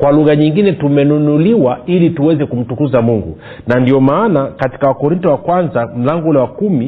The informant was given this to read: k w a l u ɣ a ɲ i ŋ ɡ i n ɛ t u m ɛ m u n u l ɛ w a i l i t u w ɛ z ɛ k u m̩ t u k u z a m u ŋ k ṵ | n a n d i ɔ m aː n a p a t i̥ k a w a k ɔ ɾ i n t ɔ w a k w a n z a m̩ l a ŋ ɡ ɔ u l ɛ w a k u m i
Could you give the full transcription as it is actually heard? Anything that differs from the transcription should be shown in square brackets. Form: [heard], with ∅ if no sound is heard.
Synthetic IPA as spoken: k w a l u ɣ a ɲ i ŋ ɡ i n ɛ t u m ɛ [n] u n u l [i] w a i l i t u w ɛ z ɛ k u m̩ t u k u z a m u ŋ [ɡ] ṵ | n a n d i ɔ m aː n a [k] a t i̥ k a w a k ɔ ɾ i n t ɔ w a k w a n z a m̩ l a ŋ ɡ ɔ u l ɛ w a k u m i